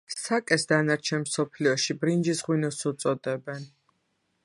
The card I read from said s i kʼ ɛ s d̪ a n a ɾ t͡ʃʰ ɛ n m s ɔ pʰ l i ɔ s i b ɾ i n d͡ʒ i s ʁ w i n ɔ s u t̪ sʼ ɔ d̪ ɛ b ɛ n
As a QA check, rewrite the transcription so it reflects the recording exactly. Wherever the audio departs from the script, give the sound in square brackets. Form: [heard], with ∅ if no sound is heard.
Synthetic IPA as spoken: s [a] kʼ ɛ s d̪ a n a ɾ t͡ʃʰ ɛ n m s ɔ pʰ l i ɔ [ʃ] i b ɾ i n d͡ʒ i s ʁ w i n ɔ s u t̪ sʼ ɔ d̪ ɛ b ɛ n